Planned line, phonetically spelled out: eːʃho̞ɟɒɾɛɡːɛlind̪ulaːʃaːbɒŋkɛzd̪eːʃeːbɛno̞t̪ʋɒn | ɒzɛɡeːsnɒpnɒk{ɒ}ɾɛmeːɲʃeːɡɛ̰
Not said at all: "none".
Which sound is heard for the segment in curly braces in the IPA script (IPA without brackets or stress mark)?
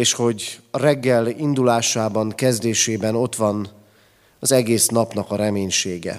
ɒ